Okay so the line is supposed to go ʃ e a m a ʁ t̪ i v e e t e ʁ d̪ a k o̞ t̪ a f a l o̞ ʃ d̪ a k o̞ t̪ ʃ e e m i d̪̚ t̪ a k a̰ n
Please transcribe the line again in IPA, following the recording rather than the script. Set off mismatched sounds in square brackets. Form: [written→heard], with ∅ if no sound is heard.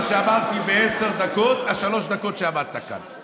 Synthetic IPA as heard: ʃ e a m a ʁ t̪ i [v→b] e e [t→s] e ʁ d̪ a k o̞ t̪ a [f→ʃ] a l o̞ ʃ d̪ a k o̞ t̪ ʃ e [e→a] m [i→a] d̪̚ t̪ a k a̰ n